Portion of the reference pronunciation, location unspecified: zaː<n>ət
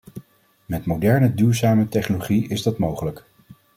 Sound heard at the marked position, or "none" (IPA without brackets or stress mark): m